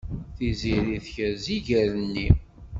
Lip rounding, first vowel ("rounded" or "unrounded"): unrounded